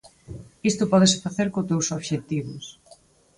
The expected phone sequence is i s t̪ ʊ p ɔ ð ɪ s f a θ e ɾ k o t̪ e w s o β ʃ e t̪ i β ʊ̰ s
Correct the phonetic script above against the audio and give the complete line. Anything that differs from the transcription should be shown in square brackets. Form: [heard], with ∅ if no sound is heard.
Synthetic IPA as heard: i s t̪ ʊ p ɔ ð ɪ s f a θ e ɾ k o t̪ e w s o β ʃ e t̪ i β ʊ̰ s